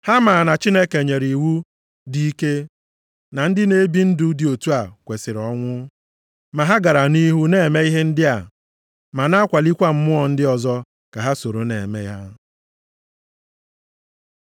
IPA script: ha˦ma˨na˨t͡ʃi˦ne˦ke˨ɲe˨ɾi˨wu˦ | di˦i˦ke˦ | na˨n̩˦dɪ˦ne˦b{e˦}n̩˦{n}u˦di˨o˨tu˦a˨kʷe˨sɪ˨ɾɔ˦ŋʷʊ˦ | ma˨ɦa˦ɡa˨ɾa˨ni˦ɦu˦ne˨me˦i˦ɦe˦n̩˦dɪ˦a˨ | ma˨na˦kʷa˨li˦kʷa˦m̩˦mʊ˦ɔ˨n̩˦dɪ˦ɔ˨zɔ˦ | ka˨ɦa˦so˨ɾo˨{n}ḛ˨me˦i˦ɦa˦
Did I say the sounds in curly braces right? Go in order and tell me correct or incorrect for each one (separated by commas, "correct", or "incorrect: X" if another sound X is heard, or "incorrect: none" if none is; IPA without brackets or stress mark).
incorrect: i˦, incorrect: d, correct